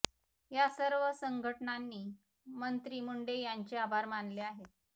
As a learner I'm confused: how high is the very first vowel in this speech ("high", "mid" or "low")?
low